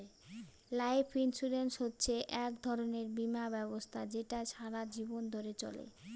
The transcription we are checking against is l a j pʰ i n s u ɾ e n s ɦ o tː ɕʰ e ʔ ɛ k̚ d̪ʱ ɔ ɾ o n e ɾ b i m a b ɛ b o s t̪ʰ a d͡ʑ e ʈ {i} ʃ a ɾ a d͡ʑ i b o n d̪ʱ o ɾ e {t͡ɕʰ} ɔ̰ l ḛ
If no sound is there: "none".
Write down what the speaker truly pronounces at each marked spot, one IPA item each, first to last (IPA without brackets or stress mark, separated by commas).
a, t͡ɕ